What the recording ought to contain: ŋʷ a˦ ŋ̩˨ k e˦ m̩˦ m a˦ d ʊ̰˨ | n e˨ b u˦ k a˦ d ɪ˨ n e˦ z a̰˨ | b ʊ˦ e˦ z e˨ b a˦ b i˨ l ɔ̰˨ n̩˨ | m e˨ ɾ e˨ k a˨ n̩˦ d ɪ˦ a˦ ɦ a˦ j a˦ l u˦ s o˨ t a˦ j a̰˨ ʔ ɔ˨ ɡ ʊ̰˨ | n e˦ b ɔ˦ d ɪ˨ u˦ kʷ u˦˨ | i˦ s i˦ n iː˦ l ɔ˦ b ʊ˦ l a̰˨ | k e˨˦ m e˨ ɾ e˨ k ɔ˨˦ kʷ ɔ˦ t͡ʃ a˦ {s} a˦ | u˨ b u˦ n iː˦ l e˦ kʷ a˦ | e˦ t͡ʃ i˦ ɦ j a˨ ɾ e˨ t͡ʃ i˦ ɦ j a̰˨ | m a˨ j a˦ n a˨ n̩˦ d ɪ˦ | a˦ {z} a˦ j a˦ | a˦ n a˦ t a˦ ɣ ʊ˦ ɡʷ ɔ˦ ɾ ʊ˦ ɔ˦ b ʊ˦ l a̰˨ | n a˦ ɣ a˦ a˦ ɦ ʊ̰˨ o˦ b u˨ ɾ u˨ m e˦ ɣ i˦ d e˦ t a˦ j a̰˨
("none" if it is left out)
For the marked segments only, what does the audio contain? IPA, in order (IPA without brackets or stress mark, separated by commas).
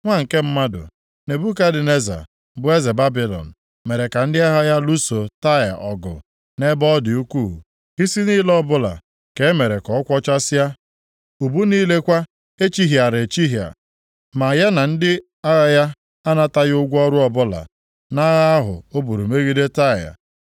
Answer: s, ɣ